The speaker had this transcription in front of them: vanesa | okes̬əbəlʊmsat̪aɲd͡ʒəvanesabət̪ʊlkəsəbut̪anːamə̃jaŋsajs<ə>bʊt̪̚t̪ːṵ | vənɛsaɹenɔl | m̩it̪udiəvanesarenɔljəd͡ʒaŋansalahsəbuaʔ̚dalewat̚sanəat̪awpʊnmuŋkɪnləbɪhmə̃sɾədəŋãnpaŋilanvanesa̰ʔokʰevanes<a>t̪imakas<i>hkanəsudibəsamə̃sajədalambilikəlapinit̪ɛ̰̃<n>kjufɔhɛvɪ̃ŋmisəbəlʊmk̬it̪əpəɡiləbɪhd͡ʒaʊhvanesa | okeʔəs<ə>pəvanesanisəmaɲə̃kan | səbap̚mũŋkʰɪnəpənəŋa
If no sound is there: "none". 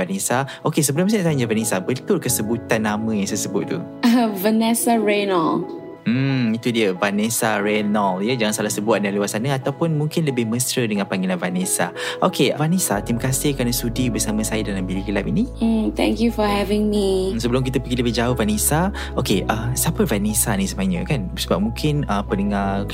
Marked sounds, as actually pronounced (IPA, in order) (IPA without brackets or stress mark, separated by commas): ə, a, ɪ, ŋ, a